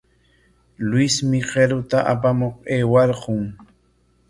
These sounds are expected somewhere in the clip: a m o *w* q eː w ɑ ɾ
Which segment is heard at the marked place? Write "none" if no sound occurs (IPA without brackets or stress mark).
none